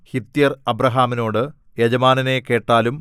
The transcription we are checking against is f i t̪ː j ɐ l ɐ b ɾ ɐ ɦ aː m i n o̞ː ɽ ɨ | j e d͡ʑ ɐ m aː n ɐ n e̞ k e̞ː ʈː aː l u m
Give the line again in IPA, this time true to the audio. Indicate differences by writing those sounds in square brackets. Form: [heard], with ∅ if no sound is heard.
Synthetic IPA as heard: [h] i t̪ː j ɐ [r] ɐ b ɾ ɐ ɦ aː m i n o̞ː ɽ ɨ | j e d͡ʑ ɐ m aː n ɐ n e̞ k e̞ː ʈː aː l u m